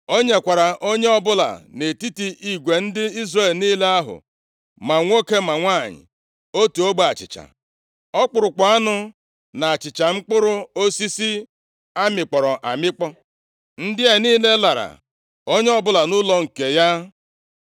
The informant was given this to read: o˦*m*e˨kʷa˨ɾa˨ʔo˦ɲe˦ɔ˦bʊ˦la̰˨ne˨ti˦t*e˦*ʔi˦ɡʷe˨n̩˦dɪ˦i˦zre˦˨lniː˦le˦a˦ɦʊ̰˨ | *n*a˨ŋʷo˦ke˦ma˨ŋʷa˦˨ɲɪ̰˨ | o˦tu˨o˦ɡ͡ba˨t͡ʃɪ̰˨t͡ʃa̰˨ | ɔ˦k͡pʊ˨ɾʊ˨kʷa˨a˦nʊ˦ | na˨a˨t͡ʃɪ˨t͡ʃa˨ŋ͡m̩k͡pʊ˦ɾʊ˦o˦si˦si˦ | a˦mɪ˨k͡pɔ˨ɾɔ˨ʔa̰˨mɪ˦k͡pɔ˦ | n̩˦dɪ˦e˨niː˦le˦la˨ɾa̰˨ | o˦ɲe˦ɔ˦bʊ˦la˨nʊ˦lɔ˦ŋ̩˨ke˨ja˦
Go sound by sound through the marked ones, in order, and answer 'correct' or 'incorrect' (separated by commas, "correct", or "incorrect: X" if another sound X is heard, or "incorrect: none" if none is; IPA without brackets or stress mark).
incorrect: ɲ, incorrect: i˦, incorrect: m